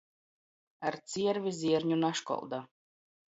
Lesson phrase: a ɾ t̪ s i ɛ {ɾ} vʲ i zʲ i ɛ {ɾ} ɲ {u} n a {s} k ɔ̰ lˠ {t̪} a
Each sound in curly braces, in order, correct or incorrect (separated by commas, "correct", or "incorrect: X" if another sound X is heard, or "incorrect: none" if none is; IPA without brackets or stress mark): correct, correct, correct, incorrect: ʃ, incorrect: d̪